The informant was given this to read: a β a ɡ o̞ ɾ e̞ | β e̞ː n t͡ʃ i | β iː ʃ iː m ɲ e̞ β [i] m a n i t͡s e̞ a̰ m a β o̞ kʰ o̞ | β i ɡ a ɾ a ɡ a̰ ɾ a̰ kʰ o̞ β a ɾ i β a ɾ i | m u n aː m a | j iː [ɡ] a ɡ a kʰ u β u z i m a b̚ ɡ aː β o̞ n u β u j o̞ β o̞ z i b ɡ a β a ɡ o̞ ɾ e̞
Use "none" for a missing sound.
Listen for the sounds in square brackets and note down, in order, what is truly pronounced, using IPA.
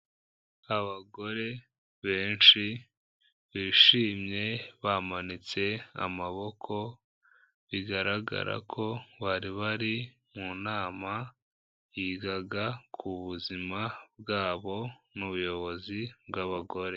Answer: a, ɡ

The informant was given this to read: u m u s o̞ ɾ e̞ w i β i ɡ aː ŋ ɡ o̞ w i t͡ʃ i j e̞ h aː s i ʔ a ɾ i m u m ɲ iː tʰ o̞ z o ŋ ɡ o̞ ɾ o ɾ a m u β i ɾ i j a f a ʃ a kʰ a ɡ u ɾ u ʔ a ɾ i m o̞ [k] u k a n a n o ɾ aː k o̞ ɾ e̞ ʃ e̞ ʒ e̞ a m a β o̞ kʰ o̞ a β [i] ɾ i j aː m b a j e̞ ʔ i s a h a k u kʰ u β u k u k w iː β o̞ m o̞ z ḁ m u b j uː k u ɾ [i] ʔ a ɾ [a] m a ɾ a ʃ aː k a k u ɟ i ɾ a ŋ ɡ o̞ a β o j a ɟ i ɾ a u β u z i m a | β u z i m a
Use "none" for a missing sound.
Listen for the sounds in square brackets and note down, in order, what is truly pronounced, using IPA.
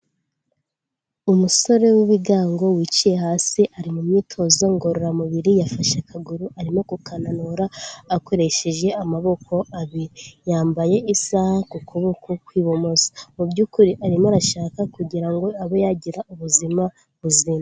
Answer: k, i, i, i

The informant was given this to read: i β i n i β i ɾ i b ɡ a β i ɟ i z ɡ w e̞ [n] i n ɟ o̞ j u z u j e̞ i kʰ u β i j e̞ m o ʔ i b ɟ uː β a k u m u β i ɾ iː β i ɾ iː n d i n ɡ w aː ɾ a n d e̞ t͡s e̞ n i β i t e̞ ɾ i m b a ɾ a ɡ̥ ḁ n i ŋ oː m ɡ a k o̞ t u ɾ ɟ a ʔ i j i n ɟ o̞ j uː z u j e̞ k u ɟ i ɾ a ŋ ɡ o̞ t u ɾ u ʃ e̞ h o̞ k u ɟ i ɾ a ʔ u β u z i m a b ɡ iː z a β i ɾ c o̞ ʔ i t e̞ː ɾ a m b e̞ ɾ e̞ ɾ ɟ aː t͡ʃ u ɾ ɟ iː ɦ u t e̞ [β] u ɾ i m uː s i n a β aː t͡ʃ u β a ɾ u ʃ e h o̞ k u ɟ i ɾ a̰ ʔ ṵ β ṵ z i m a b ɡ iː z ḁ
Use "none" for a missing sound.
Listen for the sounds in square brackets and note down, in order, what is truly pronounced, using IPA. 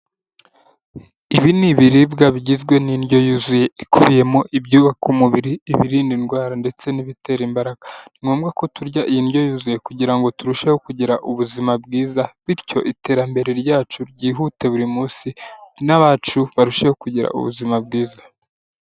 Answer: n, β

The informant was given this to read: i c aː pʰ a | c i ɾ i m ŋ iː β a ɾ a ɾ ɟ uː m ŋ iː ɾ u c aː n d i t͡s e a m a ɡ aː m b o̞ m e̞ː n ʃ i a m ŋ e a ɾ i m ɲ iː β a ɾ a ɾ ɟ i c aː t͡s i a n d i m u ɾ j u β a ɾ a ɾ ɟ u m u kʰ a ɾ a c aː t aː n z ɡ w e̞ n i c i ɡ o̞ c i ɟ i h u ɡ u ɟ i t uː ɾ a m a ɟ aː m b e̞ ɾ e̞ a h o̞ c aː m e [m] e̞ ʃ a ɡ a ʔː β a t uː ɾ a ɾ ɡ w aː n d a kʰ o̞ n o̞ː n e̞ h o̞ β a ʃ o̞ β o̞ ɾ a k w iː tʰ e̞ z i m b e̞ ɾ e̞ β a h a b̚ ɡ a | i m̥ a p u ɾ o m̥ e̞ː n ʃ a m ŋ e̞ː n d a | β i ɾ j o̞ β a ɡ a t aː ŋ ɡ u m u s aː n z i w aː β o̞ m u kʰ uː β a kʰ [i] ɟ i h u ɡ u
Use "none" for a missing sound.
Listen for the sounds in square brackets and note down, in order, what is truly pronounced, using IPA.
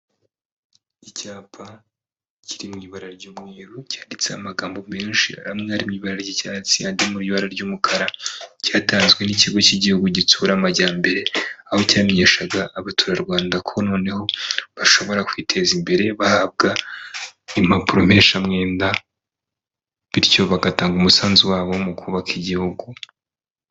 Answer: ɲ, i

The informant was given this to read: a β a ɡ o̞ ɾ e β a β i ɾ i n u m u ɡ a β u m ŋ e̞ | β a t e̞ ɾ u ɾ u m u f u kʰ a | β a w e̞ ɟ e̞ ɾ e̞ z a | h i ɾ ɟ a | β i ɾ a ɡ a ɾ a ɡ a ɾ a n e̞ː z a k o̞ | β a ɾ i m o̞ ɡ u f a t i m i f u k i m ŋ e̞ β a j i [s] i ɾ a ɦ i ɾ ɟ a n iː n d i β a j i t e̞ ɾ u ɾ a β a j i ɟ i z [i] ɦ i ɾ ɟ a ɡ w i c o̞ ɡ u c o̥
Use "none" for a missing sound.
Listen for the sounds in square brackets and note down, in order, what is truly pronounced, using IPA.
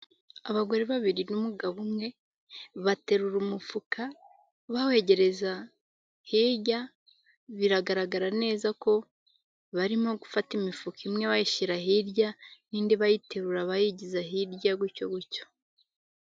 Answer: ʃ, a

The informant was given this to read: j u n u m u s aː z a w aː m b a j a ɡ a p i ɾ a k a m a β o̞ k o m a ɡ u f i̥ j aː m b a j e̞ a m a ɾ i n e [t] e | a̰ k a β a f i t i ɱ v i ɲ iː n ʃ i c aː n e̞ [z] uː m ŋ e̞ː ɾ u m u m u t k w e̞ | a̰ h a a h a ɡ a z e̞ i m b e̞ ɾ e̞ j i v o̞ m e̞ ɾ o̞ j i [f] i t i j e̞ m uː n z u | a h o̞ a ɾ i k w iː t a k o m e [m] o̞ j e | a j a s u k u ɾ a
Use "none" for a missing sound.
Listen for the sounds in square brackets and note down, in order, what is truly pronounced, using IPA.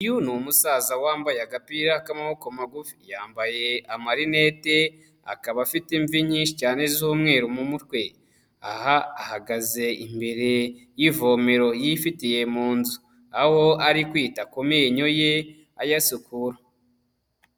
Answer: t, z, f, ɲ

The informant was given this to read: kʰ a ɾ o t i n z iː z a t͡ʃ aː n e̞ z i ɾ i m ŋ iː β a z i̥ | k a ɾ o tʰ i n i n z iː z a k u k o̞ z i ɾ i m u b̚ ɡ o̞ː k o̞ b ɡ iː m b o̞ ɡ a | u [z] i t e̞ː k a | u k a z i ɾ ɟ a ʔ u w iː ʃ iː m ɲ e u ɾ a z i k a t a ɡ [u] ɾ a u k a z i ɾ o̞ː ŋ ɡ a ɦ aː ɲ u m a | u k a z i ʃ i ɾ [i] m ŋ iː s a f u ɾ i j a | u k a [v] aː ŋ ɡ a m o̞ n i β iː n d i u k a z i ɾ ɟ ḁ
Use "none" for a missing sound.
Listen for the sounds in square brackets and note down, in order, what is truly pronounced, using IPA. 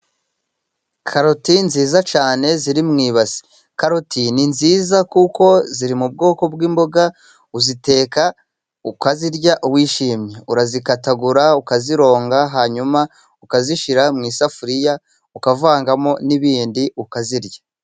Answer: z, u, a, v

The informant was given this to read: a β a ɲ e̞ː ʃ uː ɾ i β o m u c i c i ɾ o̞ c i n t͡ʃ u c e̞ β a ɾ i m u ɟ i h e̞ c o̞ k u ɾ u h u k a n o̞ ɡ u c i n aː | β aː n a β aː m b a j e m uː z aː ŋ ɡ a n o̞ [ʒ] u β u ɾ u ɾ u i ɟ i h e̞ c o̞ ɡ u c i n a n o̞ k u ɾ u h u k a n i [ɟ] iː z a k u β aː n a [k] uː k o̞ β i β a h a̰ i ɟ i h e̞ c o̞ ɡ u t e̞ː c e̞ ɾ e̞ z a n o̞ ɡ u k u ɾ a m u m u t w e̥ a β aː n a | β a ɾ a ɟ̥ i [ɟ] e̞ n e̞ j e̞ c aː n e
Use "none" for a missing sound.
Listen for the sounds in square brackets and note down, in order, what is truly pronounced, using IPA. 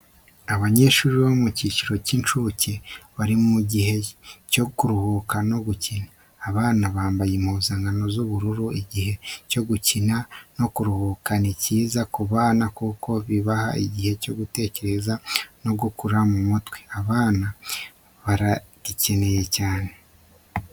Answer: z, c, k, c

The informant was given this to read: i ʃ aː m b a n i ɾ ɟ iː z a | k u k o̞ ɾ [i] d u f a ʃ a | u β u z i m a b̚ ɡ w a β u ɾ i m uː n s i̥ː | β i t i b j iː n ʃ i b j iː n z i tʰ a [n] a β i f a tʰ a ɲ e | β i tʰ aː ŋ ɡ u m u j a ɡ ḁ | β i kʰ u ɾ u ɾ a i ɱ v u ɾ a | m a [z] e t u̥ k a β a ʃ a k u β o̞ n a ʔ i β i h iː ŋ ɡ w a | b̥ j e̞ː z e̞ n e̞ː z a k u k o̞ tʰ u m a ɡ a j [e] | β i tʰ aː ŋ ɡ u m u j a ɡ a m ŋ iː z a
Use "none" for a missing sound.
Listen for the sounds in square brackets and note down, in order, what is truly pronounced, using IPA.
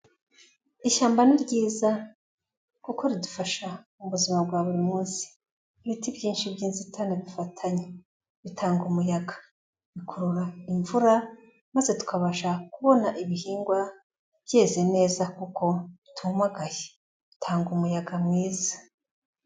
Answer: i, n, z, e

